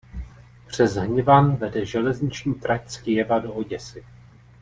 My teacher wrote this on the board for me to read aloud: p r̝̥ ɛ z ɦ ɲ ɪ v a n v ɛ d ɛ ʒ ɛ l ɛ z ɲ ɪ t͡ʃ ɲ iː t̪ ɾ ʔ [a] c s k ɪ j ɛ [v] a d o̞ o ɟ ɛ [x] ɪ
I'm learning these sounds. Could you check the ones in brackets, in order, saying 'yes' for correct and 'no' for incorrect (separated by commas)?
yes, yes, no